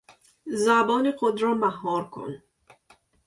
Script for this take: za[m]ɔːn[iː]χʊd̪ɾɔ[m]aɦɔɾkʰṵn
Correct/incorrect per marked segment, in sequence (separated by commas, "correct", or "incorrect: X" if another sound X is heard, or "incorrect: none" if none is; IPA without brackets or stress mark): incorrect: b, incorrect: i, correct